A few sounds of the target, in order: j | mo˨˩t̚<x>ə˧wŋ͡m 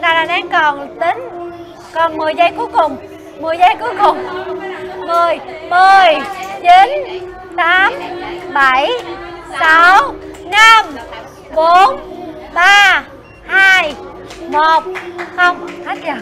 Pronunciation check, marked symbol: correct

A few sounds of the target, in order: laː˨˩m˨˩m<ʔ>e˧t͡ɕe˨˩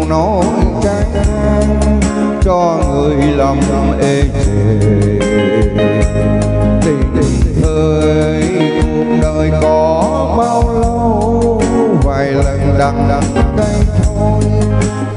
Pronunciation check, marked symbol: correct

